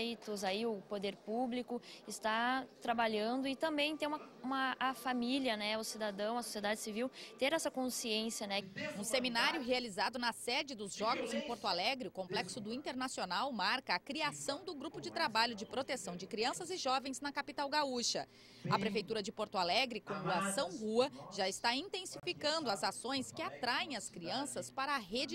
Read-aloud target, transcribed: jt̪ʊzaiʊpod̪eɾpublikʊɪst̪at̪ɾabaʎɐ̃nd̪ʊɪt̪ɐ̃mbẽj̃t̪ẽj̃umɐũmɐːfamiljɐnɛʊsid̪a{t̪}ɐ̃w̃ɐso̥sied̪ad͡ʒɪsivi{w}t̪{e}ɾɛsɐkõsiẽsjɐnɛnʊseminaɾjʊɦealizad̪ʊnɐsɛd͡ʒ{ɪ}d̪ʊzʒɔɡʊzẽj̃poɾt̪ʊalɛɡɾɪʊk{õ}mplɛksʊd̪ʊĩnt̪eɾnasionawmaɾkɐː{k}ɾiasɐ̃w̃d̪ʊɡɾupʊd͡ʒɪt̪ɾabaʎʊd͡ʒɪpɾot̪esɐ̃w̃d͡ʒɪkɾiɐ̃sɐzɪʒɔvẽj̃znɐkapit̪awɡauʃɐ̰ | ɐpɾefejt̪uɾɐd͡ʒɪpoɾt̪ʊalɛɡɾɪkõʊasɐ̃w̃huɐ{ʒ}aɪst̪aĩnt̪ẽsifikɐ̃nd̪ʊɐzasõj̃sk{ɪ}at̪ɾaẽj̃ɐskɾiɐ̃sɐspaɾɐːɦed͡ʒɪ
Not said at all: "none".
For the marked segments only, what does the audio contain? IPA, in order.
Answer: d̪, w, e, ɪ, õ, k, ʒ, ɪ

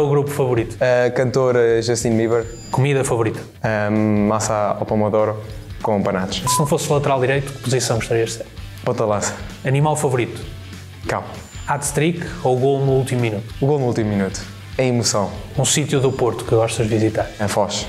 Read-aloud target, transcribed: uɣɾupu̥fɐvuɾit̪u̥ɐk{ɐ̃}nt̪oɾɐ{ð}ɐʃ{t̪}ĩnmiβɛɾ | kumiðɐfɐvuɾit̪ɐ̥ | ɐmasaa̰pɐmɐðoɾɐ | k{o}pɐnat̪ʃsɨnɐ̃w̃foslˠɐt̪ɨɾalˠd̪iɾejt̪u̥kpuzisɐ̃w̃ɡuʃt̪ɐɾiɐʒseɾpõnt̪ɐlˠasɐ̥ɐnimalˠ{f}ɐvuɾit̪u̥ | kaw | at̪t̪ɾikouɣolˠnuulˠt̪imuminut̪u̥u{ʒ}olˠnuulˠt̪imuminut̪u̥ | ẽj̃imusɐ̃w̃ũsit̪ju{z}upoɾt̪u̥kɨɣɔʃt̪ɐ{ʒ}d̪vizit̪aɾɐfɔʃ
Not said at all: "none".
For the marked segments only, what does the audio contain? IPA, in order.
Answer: ɐ̃, ʒ, t̪, õ, f, ɣ, ð, ʒ

